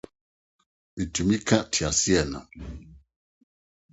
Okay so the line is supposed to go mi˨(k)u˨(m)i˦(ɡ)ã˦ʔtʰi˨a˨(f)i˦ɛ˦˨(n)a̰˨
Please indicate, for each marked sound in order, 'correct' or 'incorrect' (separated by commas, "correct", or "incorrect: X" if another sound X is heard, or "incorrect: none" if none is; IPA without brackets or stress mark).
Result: incorrect: t, correct, incorrect: k, incorrect: s, correct